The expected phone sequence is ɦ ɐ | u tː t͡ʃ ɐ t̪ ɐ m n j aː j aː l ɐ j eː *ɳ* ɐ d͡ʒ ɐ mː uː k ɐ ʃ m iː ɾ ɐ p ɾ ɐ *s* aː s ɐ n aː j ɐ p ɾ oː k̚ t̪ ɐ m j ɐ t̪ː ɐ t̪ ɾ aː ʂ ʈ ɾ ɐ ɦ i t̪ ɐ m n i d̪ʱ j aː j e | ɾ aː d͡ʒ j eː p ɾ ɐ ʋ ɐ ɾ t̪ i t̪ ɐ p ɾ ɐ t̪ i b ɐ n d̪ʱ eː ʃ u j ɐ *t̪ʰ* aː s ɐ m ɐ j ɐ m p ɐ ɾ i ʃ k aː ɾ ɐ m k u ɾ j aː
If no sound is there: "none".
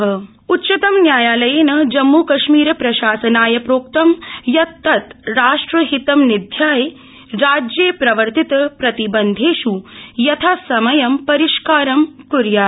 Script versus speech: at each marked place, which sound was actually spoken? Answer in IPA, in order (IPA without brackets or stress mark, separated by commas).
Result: n, ʃ, t̪ʰ